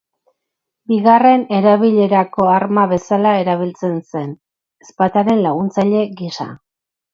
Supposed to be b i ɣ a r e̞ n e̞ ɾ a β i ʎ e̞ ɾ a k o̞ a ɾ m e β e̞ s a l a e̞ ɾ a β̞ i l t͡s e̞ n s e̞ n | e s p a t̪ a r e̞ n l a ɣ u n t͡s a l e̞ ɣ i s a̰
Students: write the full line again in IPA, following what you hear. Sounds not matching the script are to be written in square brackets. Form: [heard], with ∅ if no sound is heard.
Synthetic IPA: b i ɣ a r e̞ n e̞ ɾ a β i ʎ e̞ ɾ a k o̞ a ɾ m [a] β e̞ s a l a e̞ ɾ a β̞ i l t͡s e̞ n s e̞ n | e s p a t̪ a [ɾ] e̞ n l a ɣ u n t͡s a [ʎ] e̞ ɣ i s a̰